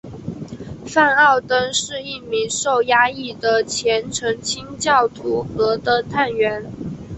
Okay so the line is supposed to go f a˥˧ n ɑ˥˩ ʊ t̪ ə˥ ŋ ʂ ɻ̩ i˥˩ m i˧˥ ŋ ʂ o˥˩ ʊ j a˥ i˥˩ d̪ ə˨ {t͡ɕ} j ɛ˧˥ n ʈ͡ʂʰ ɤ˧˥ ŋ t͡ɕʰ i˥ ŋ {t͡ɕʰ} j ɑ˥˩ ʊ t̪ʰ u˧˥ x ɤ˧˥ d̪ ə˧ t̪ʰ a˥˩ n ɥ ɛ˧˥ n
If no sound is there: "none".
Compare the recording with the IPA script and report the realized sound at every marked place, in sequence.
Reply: t͡ɕʰ, t͡ɕ

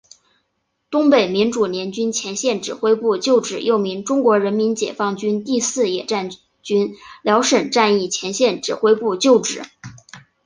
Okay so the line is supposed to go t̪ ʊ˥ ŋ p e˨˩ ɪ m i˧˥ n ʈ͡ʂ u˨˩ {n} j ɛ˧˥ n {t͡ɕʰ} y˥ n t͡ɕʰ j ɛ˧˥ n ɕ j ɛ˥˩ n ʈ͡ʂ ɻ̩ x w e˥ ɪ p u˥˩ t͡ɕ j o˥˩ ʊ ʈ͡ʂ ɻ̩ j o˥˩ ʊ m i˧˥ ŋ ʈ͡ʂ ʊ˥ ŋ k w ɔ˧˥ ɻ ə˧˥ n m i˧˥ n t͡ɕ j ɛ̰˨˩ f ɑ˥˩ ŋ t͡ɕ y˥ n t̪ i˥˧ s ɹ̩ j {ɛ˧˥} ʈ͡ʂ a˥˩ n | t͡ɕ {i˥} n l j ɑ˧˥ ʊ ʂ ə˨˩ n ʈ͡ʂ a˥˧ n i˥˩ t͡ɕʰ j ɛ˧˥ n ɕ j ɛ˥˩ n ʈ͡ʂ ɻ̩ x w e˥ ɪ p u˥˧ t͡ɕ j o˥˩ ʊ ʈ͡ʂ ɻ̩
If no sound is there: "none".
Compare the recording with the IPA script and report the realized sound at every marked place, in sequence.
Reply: n, t͡ɕ, ɛ˨˩, y˥

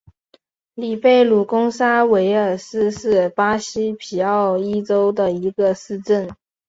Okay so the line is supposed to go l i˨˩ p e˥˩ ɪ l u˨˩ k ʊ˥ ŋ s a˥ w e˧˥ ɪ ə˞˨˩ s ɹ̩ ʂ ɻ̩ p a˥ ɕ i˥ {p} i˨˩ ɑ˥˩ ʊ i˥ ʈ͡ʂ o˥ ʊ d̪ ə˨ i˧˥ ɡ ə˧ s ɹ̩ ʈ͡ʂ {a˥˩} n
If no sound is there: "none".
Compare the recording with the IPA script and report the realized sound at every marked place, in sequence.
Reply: pʰ, ə˥˩

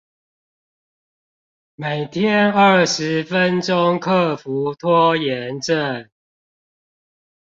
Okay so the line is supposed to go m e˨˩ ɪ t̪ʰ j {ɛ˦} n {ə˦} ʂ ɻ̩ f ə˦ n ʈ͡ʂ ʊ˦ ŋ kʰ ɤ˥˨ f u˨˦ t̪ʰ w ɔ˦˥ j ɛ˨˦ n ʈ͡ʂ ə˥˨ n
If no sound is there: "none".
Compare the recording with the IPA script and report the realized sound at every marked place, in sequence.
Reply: ɛ˦, ə˥˩

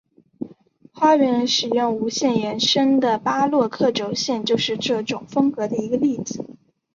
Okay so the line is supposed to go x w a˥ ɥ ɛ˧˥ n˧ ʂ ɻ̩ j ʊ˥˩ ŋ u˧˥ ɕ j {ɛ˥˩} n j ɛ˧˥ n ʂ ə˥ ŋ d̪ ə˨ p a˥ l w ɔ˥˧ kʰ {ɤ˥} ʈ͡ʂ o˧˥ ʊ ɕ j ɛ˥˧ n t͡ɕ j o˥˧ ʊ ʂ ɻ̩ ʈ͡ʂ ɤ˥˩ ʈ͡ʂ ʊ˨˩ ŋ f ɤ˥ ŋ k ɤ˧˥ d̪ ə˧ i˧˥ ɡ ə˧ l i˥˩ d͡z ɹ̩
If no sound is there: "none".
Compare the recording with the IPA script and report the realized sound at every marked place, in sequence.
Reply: ɛ˥˩, ɤ˥˩

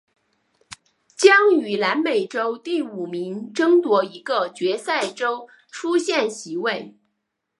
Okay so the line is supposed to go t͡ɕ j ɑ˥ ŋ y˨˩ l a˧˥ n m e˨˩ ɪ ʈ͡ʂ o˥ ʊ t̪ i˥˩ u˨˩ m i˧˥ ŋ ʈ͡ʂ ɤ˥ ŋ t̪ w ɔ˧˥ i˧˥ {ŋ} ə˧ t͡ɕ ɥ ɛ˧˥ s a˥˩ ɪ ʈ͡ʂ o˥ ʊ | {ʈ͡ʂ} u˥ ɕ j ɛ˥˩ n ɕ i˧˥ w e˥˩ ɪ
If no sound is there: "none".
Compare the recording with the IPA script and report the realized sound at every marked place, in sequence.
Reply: ɡ, ʈ͡ʂʰ

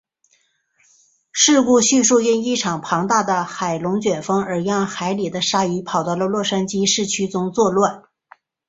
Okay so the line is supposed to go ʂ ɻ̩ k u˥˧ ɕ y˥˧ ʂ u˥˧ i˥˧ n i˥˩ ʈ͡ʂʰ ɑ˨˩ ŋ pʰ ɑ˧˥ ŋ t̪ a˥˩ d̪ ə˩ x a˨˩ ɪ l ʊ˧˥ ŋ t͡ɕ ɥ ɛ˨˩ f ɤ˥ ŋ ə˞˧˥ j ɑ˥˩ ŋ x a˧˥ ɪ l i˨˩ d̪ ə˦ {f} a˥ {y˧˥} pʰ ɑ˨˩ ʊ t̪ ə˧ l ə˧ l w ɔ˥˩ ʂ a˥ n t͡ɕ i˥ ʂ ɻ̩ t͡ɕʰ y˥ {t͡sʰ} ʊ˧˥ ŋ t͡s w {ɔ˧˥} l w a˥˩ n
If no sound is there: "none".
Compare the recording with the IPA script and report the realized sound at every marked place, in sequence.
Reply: ʂ, i˧˥, t͡s, ɔ˥˧

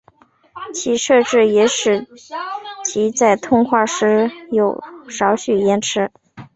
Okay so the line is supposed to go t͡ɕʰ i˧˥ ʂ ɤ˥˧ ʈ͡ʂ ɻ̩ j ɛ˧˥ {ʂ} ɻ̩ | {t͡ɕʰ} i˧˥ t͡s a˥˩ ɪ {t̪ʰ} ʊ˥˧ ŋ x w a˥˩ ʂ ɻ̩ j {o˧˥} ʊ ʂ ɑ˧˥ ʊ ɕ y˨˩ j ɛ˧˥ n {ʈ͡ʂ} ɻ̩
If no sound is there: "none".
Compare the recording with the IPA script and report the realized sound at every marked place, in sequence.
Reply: ʂ, t͡ɕʰ, t̪ʰ, o˨˩, ʈ͡ʂʰ

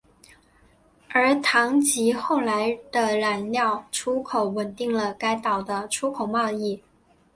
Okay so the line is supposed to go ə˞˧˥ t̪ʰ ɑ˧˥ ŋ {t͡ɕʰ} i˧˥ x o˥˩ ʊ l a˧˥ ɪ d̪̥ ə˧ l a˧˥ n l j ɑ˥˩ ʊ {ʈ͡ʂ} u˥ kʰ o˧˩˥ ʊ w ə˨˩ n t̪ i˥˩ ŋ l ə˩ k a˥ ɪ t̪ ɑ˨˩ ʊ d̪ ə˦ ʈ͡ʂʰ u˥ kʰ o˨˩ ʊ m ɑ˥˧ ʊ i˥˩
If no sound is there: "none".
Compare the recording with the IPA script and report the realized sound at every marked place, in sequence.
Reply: t͡ɕ, ʈ͡ʂʰ

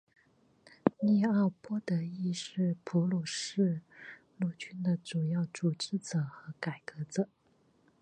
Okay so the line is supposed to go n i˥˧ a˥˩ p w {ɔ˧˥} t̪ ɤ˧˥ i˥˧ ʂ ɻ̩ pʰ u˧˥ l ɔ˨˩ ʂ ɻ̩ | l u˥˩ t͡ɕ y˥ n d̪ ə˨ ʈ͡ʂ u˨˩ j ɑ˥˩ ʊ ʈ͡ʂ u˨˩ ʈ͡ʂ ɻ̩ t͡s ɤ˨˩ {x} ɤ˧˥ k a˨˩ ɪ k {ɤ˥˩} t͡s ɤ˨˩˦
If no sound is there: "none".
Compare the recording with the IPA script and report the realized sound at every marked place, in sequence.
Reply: ɔ˥, x, ɤ˧˥

